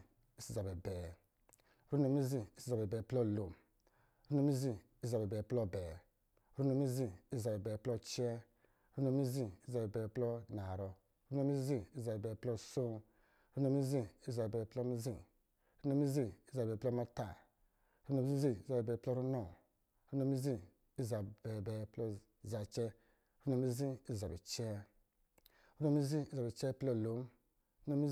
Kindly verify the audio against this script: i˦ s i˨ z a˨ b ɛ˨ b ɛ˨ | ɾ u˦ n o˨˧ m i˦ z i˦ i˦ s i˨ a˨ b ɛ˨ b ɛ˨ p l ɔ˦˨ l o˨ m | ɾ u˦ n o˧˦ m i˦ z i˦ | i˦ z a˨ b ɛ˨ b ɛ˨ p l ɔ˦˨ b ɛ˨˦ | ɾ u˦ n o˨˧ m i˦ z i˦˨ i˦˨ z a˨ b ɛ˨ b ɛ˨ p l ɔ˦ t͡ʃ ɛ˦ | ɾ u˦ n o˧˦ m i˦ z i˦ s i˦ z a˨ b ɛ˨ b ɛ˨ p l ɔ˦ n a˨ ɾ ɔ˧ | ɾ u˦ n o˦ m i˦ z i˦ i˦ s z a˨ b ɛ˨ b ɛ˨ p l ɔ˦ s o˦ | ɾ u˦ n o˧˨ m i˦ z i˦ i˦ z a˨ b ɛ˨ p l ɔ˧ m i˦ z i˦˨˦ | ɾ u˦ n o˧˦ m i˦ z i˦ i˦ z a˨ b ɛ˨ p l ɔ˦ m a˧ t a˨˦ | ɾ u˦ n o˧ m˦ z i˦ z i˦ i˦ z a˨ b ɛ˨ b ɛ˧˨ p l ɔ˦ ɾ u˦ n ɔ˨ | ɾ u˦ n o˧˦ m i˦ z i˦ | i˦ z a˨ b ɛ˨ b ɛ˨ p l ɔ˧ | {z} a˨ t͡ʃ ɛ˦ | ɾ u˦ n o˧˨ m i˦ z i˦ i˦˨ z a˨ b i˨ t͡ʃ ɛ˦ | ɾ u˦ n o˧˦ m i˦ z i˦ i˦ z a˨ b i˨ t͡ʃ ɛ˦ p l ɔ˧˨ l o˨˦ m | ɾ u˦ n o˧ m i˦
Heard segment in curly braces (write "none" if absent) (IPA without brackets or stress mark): z